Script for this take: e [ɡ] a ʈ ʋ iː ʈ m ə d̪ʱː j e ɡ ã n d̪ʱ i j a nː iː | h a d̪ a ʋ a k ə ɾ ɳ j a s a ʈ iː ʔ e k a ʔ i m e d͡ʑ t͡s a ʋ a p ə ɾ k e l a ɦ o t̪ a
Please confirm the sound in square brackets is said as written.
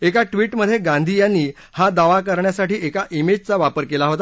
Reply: no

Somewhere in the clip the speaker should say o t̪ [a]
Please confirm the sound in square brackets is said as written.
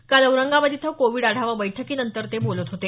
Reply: no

